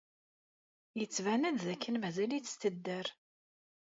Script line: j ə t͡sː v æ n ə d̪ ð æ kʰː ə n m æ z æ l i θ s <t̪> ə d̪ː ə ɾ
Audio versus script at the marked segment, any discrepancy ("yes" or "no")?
no